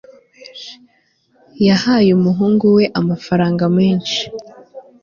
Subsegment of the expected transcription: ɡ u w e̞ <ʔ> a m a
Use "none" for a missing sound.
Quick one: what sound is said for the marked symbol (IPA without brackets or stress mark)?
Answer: ʔ